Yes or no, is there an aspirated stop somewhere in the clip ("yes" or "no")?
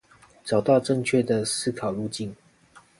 yes